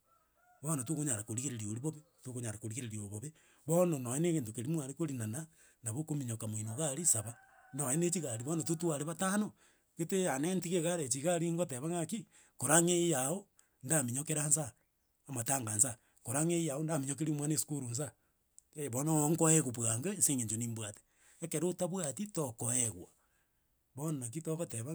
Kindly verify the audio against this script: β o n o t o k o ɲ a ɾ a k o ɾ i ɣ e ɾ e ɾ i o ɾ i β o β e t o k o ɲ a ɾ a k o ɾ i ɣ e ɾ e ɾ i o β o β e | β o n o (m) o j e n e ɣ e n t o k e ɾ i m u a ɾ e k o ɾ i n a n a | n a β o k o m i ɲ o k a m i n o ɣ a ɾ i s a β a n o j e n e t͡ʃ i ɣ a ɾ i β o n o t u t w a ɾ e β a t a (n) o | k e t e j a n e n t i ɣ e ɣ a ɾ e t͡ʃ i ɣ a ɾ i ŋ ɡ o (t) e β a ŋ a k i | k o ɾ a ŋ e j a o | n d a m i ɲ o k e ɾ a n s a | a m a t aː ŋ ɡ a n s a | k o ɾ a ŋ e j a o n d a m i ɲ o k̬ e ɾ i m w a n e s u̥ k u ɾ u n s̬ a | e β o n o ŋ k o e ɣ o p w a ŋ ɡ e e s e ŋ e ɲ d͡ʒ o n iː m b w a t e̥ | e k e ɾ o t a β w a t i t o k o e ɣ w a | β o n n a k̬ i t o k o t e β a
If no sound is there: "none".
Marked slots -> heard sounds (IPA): n, n, t

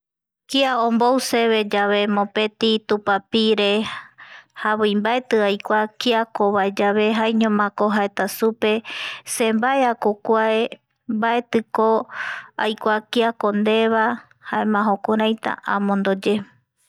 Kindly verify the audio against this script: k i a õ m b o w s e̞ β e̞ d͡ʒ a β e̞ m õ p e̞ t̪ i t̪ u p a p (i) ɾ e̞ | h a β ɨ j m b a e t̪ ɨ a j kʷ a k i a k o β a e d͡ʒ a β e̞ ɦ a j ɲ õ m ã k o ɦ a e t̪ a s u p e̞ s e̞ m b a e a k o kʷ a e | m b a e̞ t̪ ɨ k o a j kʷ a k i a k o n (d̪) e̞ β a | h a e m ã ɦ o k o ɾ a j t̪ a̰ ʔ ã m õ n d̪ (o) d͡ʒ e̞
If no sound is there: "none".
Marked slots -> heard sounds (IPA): i, d̪, o

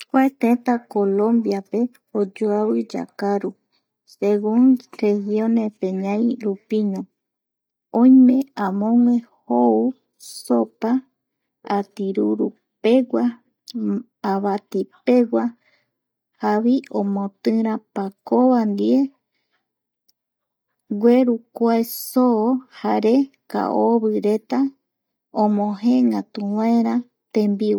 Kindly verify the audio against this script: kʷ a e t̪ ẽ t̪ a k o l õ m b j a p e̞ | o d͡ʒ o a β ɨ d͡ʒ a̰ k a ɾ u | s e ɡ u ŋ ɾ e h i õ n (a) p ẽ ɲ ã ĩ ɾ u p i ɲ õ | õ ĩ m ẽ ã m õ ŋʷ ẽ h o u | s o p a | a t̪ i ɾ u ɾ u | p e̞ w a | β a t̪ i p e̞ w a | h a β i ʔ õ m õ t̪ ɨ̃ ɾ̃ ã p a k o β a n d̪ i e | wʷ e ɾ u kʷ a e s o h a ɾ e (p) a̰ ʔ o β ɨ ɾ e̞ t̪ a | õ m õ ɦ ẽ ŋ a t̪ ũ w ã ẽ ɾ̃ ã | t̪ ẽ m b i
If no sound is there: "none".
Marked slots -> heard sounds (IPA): e, k

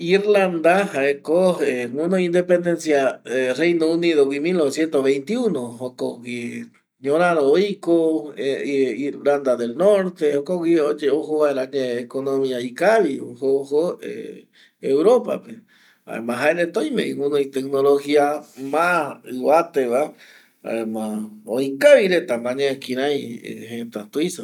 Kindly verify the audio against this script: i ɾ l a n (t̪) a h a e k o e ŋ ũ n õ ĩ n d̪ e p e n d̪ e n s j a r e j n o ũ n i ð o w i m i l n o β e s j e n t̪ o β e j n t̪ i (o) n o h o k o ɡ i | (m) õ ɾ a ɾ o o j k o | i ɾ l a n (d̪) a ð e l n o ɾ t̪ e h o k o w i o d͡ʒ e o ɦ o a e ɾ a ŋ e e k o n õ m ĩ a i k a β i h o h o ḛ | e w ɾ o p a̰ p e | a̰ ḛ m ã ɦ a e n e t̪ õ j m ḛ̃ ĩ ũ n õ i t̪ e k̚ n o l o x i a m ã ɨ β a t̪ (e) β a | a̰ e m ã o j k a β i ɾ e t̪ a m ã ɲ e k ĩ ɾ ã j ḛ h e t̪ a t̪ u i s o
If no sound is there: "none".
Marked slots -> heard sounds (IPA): d̪, u, ɲ, d̪, e

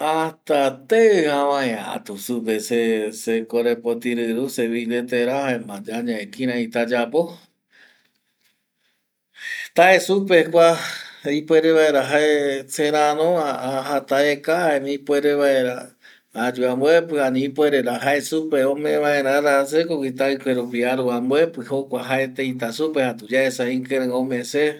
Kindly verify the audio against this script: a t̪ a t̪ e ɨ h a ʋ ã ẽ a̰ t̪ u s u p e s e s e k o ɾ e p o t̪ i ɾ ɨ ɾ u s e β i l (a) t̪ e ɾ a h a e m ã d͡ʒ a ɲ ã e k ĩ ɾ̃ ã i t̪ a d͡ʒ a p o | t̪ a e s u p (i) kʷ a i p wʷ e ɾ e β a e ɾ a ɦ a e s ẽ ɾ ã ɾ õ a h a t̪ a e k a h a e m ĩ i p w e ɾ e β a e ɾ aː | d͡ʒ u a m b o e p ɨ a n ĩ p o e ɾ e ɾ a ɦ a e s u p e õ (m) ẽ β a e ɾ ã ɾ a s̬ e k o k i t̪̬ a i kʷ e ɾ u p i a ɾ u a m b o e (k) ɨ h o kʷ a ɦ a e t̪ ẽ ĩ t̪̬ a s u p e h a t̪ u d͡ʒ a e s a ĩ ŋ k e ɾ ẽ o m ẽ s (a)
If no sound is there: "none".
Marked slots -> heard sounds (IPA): e, e, m, p, e

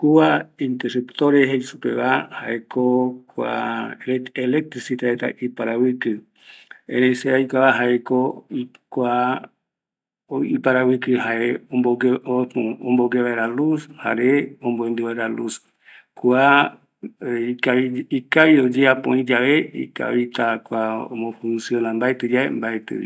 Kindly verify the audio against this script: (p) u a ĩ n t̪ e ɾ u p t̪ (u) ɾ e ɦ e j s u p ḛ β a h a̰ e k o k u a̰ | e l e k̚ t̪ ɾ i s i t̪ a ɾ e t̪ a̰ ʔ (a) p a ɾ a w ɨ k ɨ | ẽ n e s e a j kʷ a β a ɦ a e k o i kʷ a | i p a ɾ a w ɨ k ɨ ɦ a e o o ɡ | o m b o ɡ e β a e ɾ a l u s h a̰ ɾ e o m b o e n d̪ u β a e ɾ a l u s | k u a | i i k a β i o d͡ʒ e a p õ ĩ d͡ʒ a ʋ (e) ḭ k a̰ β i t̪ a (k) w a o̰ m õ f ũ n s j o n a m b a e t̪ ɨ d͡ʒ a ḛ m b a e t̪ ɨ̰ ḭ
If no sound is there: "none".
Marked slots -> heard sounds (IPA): k, o, i, e, k

